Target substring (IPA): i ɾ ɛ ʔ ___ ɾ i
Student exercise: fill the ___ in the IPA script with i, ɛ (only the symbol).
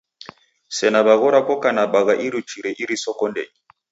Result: i